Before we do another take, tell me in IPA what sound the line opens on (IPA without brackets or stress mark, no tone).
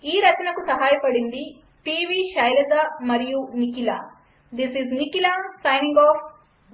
iː